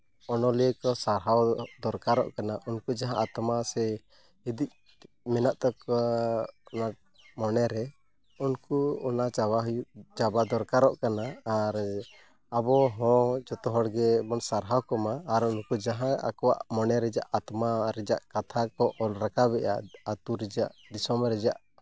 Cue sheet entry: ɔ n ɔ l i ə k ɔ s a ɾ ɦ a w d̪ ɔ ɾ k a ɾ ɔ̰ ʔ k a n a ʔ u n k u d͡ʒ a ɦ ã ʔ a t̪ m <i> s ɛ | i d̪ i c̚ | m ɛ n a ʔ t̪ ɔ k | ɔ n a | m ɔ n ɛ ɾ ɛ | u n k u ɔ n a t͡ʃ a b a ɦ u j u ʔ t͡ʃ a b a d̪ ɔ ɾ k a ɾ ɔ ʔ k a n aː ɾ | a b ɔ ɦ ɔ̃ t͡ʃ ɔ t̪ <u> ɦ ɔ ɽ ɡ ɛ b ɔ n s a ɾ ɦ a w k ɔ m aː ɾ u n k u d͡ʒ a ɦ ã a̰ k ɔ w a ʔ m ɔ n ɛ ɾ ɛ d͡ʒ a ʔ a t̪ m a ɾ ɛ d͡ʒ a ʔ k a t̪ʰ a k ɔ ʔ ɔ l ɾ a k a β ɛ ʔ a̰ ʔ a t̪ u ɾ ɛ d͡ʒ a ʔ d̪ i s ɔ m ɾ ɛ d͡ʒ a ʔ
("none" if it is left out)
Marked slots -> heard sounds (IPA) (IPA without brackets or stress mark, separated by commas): a, ɔ